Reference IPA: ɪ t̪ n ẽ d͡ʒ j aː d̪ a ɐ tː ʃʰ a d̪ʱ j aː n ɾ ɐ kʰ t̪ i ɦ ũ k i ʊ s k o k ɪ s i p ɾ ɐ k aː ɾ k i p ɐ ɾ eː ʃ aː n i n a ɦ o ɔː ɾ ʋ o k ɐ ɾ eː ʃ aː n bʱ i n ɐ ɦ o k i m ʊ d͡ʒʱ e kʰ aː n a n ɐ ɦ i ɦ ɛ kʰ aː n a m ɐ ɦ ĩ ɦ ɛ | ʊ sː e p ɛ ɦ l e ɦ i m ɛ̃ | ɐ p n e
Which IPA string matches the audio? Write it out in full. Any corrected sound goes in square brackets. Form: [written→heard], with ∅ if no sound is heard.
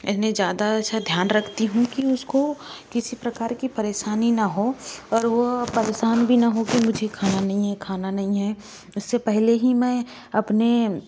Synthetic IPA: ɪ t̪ n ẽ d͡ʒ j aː d̪ a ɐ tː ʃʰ a d̪ʱ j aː n ɾ ɐ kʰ t̪ i ɦ ũ k i ʊ s k o k ɪ s i p ɾ ɐ k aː ɾ k i p ɐ ɾ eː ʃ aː n i n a ɦ o ɔː ɾ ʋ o [k→p] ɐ ɾ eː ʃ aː n bʱ i n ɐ ɦ o k i m ʊ d͡ʒʱ e kʰ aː n a n ɐ ɦ [i→ĩ] ɦ ɛ kʰ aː n a [m→n] ɐ ɦ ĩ ɦ ɛ | ʊ sː e p ɛ ɦ l e ɦ i m ɛ̃ | ɐ p n e

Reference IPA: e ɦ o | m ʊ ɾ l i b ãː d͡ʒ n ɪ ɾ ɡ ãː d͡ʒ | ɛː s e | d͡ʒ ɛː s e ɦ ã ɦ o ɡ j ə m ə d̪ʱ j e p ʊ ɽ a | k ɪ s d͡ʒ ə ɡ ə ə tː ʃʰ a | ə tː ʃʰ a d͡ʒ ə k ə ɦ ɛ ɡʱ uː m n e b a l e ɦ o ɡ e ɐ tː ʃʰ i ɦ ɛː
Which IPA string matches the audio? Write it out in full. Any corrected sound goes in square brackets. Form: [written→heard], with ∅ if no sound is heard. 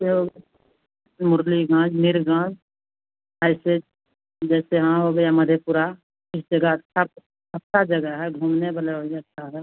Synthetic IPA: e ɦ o | m ʊ ɾ l i [b→ɡ] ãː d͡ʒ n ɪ ɾ ɡ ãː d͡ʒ | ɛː s e | d͡ʒ ɛː s e ɦ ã ɦ o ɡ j [ə→a] m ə d̪ʱ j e p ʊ [ɽ→ɾ] a | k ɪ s d͡ʒ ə ɡ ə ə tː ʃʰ a | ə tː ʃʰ a d͡ʒ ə [k→ɡ] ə ɦ ɛ ɡʱ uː m n e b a l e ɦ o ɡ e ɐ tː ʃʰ [i→a] ɦ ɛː

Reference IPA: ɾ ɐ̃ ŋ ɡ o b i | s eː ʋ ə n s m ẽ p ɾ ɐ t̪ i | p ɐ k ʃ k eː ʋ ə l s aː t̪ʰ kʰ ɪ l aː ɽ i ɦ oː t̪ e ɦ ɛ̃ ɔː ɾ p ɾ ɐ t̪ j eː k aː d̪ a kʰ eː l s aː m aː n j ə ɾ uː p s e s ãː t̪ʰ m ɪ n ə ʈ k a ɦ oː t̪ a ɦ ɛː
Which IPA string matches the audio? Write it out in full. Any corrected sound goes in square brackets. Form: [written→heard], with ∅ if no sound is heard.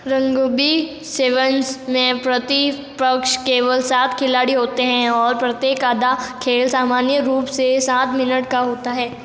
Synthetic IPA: ɾ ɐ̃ ŋ ɡ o b i | s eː ʋ ə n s m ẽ p ɾ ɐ t̪ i | p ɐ k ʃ k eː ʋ ə l s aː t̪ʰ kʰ ɪ l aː ɽ i ɦ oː t̪ e ɦ ɛ̃ ɔː ɾ p ɾ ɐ t̪ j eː k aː d̪ a kʰ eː l s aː m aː n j ə ɾ uː p s e s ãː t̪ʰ m ɪ n ə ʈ k a ɦ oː t̪ a ɦ ɛː

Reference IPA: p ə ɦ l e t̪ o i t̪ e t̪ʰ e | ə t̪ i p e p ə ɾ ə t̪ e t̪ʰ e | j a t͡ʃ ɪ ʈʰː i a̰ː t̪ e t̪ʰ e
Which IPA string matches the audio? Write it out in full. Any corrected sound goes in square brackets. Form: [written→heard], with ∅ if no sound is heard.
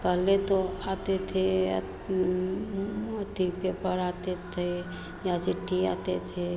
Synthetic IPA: p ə ɦ l e t̪ o [i→a] t̪ e t̪ʰ e | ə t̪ i p e p ə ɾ [ə→a] t̪ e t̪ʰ e | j a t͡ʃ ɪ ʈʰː i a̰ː t̪ e t̪ʰ e

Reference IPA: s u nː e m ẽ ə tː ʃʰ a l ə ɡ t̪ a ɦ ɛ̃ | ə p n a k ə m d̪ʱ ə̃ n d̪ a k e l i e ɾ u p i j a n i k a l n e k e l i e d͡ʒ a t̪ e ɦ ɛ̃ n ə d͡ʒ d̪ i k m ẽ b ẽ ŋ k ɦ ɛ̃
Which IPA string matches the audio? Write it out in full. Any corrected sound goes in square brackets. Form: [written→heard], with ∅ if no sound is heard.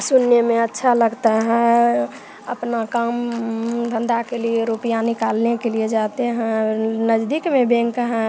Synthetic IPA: s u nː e m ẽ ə tː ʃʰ a l ə ɡ t̪ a ɦ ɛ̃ | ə p n a k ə m d̪ʱ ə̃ n d̪ a k e l i e ɾ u p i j a n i k a l n e k e l i e d͡ʒ a t̪ e ɦ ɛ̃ n ə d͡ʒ d̪ i k m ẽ b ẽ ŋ k ɦ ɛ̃

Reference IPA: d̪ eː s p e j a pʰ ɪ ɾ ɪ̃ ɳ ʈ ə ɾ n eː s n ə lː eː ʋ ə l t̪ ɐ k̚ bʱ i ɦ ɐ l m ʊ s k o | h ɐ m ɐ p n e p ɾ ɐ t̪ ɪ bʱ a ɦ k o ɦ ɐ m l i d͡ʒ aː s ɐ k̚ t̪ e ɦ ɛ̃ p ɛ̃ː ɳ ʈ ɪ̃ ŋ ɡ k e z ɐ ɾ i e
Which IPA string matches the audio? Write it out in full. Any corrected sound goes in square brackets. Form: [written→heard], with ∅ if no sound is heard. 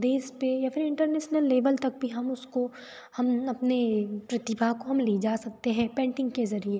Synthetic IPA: d̪ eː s p e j a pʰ ɪ ɾ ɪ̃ ɳ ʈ ə ɾ n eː [s→ʃ] n ə lː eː ʋ ə l t̪ ɐ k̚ bʱ i ɦ ɐ [l→∅] m ʊ s k o | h ɐ m ɐ p n e p ɾ ɐ t̪ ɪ bʱ a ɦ k o ɦ ɐ m l i d͡ʒ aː s ɐ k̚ t̪ e ɦ ɛ̃ p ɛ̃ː ɳ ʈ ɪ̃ ŋ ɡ k e z ɐ ɾ i e

